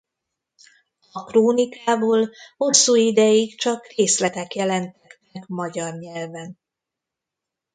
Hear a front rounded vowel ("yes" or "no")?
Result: no